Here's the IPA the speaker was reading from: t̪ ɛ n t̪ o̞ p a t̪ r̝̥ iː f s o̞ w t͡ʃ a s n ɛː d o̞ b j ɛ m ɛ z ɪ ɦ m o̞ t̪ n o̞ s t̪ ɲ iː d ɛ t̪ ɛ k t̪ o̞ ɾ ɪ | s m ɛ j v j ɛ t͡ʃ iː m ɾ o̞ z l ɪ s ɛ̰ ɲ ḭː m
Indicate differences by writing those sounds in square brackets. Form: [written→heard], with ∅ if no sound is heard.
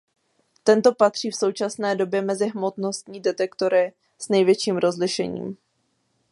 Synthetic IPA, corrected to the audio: t̪ ɛ n t̪ o̞ p a t̪ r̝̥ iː f s o̞ w t͡ʃ a s n ɛː d o̞ b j ɛ m ɛ z ɪ ɦ m o̞ t̪ n o̞ s t̪ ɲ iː d ɛ t̪ ɛ k t̪ o̞ ɾ ɪ | s [m→n] ɛ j v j ɛ t͡ʃ iː m ɾ o̞ z l ɪ [s→ʃ] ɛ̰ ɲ ḭː m